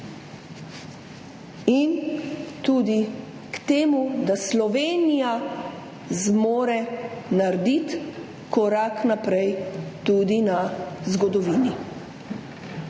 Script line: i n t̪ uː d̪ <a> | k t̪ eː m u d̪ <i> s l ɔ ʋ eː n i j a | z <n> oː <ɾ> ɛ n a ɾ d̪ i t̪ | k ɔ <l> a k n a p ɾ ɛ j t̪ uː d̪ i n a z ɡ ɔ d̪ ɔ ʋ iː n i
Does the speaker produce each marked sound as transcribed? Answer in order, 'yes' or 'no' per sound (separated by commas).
no, no, no, yes, no